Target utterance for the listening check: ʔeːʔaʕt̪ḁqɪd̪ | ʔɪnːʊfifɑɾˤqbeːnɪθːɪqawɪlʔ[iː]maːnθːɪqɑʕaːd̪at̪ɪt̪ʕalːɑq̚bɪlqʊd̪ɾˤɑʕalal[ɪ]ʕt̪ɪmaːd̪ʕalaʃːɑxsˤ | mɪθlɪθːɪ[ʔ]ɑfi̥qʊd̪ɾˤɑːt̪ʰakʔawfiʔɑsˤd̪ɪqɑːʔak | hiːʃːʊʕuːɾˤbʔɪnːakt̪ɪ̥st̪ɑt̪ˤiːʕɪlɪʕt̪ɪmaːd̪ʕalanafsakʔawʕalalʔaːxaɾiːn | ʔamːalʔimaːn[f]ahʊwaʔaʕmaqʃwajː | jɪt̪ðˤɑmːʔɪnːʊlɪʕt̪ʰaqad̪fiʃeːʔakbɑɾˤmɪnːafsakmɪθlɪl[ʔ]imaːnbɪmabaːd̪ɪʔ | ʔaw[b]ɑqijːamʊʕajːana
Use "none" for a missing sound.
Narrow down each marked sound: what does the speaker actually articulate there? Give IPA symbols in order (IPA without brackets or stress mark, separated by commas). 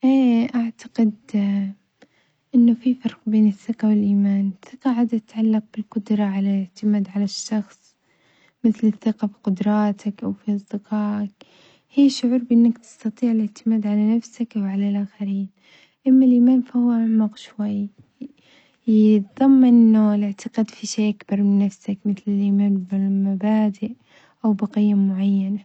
iː, ɪ, q, f, ʔ, b